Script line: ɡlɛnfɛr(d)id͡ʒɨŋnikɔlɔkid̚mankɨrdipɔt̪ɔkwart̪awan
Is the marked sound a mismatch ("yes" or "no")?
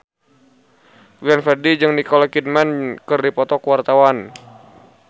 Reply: no